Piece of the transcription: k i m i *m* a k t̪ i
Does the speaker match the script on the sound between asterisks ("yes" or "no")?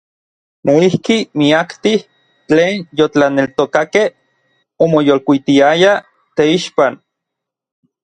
no